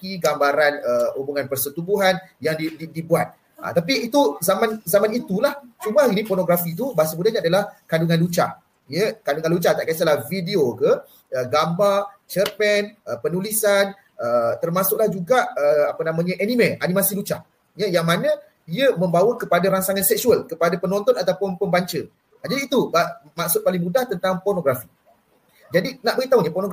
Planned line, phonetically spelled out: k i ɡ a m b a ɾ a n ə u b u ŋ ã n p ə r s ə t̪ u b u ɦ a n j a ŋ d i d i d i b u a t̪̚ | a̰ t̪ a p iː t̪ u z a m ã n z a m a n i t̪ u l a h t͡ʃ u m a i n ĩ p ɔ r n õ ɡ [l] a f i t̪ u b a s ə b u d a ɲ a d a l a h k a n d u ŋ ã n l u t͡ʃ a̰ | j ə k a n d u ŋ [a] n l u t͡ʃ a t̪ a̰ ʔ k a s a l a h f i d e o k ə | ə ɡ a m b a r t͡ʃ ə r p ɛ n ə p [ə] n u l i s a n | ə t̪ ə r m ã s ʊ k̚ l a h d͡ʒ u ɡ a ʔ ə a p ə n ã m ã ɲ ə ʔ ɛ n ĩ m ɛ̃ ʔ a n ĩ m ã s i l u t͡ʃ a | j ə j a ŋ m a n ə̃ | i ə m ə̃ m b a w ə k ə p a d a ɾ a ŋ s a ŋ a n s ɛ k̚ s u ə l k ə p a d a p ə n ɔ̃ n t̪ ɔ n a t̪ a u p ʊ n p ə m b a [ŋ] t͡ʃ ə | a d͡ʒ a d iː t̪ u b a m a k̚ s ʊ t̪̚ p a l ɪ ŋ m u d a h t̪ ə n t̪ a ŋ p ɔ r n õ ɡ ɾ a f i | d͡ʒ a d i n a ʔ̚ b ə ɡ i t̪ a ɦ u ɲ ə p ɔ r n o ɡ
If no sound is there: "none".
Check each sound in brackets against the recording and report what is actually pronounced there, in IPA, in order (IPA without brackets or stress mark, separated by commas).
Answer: ɾ, a, ə, ɲ